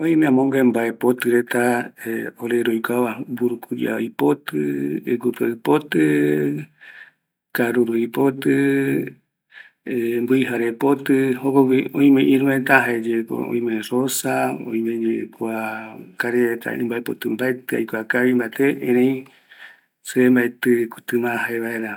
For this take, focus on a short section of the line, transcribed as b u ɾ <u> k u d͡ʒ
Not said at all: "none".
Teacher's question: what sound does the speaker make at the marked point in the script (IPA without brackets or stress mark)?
u